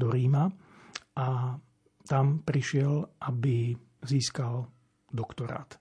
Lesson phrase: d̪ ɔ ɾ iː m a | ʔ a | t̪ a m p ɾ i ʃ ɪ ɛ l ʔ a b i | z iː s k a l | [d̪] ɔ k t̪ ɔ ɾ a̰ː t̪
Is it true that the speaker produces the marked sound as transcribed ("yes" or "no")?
yes